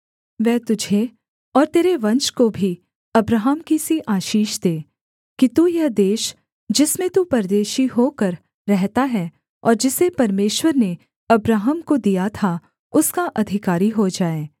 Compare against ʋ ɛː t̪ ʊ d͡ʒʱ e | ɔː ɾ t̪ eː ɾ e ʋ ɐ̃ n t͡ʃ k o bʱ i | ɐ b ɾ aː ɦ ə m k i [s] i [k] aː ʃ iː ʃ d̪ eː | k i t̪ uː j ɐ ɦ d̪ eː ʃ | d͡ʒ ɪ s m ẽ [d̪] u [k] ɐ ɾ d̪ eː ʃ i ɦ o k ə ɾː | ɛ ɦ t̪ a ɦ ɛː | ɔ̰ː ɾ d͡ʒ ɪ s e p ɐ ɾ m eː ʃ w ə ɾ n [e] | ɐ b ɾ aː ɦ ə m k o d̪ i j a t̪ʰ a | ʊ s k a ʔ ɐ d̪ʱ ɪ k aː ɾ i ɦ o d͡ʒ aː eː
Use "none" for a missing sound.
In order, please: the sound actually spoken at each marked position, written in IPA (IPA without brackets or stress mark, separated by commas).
s, ʔ, t̪, p, e